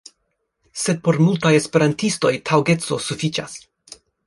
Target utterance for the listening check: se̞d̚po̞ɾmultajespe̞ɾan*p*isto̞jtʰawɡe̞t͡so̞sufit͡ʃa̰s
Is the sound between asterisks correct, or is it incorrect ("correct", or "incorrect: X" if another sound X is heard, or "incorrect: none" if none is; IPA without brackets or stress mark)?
incorrect: t